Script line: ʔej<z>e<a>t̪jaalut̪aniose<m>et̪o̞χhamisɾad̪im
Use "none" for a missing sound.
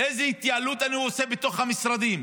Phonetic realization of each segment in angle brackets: z, i, b

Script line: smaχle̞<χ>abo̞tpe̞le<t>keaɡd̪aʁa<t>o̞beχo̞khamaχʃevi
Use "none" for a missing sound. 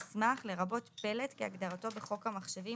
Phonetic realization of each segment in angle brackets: ʁ, t, t

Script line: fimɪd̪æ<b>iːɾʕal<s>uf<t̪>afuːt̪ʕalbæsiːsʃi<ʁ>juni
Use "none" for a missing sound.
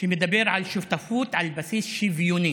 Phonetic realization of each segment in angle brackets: b, ʃ, t̪, v

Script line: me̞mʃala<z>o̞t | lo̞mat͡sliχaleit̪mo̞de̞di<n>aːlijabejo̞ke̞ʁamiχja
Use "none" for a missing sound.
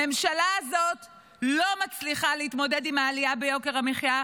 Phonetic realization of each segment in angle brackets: z, m

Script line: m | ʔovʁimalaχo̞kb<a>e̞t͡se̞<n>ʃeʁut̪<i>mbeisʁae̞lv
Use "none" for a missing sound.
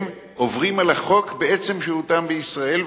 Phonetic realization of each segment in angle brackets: e, m, a

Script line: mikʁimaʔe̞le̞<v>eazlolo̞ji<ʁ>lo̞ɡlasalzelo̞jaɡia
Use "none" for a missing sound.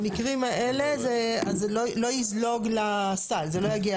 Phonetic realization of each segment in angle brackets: z, z

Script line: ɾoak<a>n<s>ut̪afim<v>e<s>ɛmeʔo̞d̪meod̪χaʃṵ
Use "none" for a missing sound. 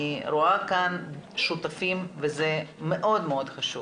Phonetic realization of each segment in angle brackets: a, ʃ, v, z

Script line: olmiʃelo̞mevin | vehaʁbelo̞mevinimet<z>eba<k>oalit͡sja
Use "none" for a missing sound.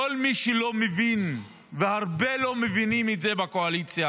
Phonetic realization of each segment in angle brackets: z, k

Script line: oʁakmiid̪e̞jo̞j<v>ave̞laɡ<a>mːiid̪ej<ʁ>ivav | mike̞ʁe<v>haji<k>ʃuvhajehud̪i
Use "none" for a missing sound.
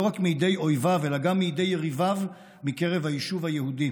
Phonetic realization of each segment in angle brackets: v, a, ʁ, v, none

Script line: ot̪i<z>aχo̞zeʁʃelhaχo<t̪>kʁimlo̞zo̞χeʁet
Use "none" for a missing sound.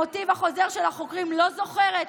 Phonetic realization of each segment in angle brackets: v, none

